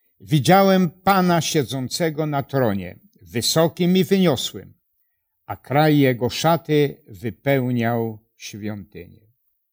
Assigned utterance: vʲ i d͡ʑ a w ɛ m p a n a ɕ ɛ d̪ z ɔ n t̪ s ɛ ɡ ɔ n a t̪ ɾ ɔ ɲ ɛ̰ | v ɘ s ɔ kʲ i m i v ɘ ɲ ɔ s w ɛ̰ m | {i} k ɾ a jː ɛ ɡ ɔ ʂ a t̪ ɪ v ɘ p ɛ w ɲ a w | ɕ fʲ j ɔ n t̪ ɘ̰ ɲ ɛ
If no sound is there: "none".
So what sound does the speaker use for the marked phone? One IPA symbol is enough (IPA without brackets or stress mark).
a